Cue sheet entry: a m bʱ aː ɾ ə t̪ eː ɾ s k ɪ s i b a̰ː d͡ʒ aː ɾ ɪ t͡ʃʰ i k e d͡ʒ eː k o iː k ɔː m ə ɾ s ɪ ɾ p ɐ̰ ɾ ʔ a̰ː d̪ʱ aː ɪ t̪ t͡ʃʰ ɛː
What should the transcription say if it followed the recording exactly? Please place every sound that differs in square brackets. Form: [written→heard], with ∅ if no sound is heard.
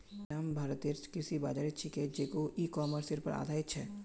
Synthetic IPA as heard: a m bʱ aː ɾ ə t̪ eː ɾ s k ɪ s i b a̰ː d͡ʒ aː ɾ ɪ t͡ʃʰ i k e d͡ʒ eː k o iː k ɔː m ə ɾ s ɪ ɾ p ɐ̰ ɾ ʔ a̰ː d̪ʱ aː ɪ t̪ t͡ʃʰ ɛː